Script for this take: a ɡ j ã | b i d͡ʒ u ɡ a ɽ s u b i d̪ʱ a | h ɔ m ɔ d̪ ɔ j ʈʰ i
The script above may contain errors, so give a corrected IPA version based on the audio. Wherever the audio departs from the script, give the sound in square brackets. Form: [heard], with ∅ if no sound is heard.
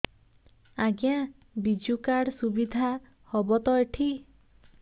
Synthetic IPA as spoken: a ɡ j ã | b i d͡ʒ u [k] a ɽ s u b i d̪ʱ a | h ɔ [b] ɔ [t̪] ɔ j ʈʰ i